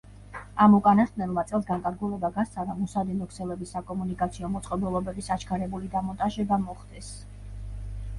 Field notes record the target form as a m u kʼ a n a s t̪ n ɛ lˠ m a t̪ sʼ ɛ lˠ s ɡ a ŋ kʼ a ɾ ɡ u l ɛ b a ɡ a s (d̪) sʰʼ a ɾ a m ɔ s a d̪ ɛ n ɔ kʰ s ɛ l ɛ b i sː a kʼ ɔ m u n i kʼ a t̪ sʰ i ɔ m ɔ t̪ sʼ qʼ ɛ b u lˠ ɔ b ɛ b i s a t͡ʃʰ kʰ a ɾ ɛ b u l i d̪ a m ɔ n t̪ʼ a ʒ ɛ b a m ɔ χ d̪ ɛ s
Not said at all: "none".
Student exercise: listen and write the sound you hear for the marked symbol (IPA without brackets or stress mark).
t̪